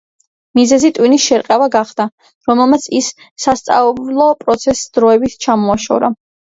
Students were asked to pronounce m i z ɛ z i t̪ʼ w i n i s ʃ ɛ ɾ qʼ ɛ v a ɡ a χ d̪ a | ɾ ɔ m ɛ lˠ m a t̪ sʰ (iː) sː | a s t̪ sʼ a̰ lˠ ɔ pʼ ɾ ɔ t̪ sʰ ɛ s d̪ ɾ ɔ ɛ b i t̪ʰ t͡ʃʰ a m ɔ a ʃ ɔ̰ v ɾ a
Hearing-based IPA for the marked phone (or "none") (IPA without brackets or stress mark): i